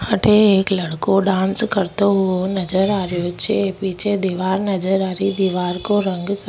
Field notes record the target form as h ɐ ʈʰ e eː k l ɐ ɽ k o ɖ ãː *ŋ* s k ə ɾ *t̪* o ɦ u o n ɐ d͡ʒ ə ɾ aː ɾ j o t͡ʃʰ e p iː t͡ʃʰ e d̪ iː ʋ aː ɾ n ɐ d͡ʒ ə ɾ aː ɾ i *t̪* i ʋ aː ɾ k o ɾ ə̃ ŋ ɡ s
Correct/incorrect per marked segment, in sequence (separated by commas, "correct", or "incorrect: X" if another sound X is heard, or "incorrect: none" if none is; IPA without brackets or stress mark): incorrect: n, correct, incorrect: d̪